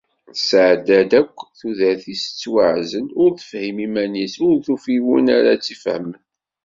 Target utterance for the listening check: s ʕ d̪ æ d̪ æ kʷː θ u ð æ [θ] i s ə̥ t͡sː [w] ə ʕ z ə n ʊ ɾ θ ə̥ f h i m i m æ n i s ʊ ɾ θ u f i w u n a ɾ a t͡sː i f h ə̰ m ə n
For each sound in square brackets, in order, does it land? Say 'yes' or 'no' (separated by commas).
yes, yes